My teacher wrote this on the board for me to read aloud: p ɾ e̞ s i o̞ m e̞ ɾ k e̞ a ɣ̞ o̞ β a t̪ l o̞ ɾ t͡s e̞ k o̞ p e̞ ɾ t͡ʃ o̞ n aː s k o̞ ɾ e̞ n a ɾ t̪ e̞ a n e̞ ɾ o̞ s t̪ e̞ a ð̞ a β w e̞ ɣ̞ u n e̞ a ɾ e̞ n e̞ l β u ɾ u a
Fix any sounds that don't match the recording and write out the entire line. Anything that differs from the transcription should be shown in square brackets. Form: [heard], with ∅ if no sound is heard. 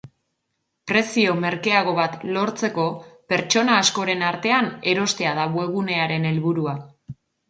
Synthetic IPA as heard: p ɾ e̞ s i o̞ m e̞ ɾ k e̞ a ɣ̞ o̞ β a t̪ l o̞ ɾ t͡s e̞ k o̞ p e̞ ɾ t͡ʃ o̞ n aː s k o̞ ɾ e̞ n a ɾ t̪ e̞ a n e̞ ɾ o̞ s t̪ e̞ a ð̞ a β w e̞ ɣ̞ u n e̞ a ɾ e̞ n e̞ l β u ɾ u a

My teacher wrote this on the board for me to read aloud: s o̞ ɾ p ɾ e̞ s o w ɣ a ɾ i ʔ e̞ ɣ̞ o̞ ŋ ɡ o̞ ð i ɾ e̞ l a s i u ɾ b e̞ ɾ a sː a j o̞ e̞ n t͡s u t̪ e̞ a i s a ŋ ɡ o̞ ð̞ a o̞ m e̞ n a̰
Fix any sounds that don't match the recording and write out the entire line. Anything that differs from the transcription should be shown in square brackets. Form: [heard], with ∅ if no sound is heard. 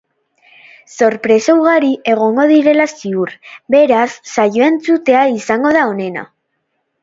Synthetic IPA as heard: s o̞ ɾ p ɾ e̞ s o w ɣ a ɾ i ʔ e̞ ɣ̞ o̞ ŋ ɡ o̞ ð i ɾ e̞ l a s i u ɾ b e̞ ɾ a sː a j o̞ e̞ n t͡s u t̪ e̞ a i s a ŋ ɡ o̞ ð̞ a o̞ [n] e̞ n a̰

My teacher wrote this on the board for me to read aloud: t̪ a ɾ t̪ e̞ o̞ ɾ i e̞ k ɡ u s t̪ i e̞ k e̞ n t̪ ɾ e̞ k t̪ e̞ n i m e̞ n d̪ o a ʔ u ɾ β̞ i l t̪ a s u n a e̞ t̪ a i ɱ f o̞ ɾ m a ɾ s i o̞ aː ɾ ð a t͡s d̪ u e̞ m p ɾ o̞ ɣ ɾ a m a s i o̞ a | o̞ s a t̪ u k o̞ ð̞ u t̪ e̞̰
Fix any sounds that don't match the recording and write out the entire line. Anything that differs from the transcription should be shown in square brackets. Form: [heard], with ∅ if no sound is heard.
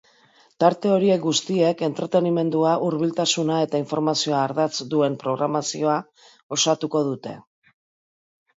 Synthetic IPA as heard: t̪ a ɾ t̪ e̞ o̞ ɾ i e̞ k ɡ u s t̪ i e̞ k e̞ n t̪ ɾ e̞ [∅] t̪ e̞ n i m e̞ n d̪ [u] a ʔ u ɾ β̞ i l t̪ a s u n a e̞ t̪ a i ɱ f o̞ ɾ m a [∅] s i o̞ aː ɾ ð a t͡s d̪ u e̞ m p ɾ o̞ ɣ ɾ a m a s i o̞ a | o̞ s a t̪ u k o̞ ð̞ u t̪ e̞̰

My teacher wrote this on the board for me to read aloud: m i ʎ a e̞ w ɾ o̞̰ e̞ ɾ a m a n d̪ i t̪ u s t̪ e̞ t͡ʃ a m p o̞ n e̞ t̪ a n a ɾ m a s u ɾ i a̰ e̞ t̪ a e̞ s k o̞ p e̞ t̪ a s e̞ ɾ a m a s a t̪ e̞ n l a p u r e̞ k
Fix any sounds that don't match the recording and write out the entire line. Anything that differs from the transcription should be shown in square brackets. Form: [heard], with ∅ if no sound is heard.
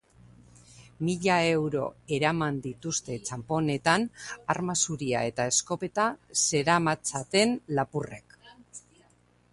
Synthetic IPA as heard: m i ʎ a e̞ w ɾ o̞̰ e̞ ɾ a m a n d̪ i t̪ u s t̪ e̞ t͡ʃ a m p o̞ n e̞ t̪ a n a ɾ m a s u ɾ i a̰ e̞ t̪ a e̞ s k o̞ p e̞ t̪ a s e̞ ɾ a m a [t͡s] a t̪ e̞ n l a p u r e̞ k

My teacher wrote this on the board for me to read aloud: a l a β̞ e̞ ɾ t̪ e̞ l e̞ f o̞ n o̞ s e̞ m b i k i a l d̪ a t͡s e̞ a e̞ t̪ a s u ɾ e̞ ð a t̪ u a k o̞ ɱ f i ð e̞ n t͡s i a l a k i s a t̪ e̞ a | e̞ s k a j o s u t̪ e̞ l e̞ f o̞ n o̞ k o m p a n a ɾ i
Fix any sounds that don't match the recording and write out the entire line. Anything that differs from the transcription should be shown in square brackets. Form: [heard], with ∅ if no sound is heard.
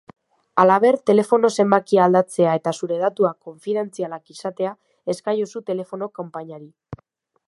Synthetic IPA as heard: a l a β̞ e̞ ɾ t̪ e̞ l e̞ f o̞ n o̞ s e̞ m b [a] k i a l d̪ a t͡s e̞ a e̞ t̪ a s u ɾ e̞ ð a t̪ u a k o̞ ɱ f i ð e̞ n t͡s i a l a k i s a t̪ e̞ a | e̞ s k a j o s u t̪ e̞ l e̞ f o̞ n o̞ k o m p a [ɲ] a ɾ i

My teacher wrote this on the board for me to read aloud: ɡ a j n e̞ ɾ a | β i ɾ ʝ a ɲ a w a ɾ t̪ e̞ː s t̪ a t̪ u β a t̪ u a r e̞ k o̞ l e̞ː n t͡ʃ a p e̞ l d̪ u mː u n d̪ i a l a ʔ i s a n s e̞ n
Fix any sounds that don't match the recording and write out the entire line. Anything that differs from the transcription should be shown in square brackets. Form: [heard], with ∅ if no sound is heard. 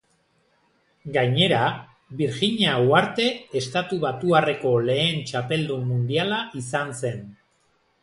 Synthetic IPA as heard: ɡ a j [ɲ] e̞ ɾ a | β i ɾ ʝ [i] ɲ a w a ɾ t̪ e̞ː s t̪ a t̪ u β a t̪ u a r e̞ k o̞ l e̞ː n t͡ʃ a p e̞ l d̪ u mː u n d̪ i a l a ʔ i s a n s e̞ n

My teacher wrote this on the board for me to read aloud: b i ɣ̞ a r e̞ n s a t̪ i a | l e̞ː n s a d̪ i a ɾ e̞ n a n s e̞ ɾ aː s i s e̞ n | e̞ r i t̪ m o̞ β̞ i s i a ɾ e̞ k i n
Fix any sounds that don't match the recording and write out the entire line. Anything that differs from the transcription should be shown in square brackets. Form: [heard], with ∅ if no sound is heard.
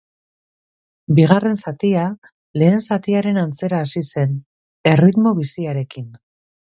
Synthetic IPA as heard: b i ɣ̞ a r e̞ n s a t̪ i a | l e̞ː n s a [t̪] i a ɾ e̞ n a n [t͡s] e̞ ɾ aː s i s e̞ n | e̞ r i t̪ m o̞ β̞ i s i a ɾ e̞ k i n

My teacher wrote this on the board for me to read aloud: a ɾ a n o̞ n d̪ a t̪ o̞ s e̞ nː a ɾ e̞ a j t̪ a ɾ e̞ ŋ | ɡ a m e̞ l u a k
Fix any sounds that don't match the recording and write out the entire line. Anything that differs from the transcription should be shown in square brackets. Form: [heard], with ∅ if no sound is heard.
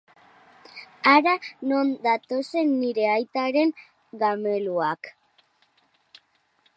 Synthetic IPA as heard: a ɾ a n o̞ n d̪ a t̪ o̞ s e̞ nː [i] ɾ e̞ a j t̪ a ɾ e̞ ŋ | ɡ a m e̞ l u a k

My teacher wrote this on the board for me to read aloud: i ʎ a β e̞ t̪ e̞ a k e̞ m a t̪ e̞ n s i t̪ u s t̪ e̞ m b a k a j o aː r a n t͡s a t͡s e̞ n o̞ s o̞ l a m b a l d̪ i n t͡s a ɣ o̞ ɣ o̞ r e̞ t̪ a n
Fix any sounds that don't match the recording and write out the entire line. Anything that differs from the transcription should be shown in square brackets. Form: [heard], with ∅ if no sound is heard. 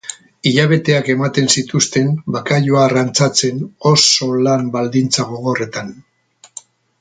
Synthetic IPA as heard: i ʎ a β e̞ t̪ e̞ a k e̞ m a t̪ e̞ n s i t̪ u s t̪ e̞ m b a k a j o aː r a n t͡s a t͡s e̞ n o̞ s o̞ l a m b a l d̪ i n t͡s a ɣ o̞ ɣ o̞ r e̞ t̪ a n

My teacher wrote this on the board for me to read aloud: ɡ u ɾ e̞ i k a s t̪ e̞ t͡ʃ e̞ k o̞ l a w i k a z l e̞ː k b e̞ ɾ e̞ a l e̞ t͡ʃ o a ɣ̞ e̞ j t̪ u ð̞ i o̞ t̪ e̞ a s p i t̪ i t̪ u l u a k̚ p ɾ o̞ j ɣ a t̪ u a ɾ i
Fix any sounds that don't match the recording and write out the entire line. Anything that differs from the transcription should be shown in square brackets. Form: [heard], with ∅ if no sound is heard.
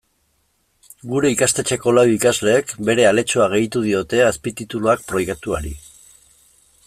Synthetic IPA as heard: ɡ u ɾ e̞ i k a s t̪ e̞ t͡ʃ e̞ k o̞ l a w i k a z l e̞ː k b e̞ ɾ e̞ a l e̞ t͡ʃ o a ɣ̞ e̞ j t̪ u ð̞ i o̞ t̪ e̞ a s p i t̪ i t̪ u l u a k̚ p ɾ o̞ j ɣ a t̪ u a ɾ i

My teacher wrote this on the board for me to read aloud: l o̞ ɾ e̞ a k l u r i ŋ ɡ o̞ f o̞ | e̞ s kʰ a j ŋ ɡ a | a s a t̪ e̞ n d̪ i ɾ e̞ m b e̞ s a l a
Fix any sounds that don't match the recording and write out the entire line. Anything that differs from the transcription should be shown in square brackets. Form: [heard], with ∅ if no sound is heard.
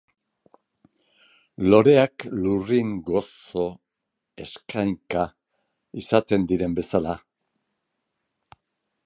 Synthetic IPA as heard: l o̞ ɾ e̞ a k l u r i ŋ ɡ o̞ [s] o̞ | e̞ s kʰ a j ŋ [k] a | [i] s a t̪ e̞ n d̪ i ɾ e̞ m b e̞ s a l a

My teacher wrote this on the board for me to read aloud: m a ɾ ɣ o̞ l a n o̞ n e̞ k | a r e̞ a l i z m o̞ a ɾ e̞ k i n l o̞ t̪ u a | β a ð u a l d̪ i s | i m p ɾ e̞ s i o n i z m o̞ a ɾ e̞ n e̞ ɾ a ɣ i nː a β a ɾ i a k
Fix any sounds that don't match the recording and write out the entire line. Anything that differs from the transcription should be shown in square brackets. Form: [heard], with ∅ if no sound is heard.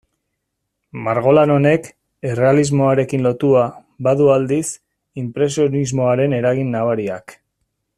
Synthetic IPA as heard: m a ɾ ɣ o̞ l a n o̞ n e̞ k | [e] r e̞ a l i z m o̞ a ɾ e̞ k i n l o̞ t̪ u a | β a ð u a l d̪ i s | i m p ɾ e̞ s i o n i z m o̞ a ɾ e̞ n e̞ ɾ a ɣ i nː a β a ɾ i a k

